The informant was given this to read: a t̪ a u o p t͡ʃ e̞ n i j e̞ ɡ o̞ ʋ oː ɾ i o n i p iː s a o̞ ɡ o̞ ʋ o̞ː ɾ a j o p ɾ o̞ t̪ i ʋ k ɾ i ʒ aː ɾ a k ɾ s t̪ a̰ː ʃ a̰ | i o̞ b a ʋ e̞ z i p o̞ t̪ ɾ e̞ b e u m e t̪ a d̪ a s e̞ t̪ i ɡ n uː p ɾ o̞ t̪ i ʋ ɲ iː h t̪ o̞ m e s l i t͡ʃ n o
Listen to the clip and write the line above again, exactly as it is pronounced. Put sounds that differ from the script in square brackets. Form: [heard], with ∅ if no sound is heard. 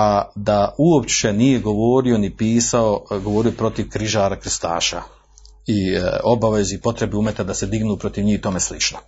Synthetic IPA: a [d̪] a u o p t͡ʃ e̞ n i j e̞ ɡ o̞ ʋ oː ɾ i o n i p iː s a o̞ ɡ o̞ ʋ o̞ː ɾ [i] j o p ɾ o̞ t̪ i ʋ k ɾ i ʒ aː ɾ a k ɾ s t̪ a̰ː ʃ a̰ | i o̞ b a ʋ e̞ z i p o̞ t̪ ɾ e̞ b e u m e t̪ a d̪ a s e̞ [d̪] i ɡ n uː p ɾ o̞ t̪ i ʋ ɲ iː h t̪ o̞ m e s l i t͡ʃ n o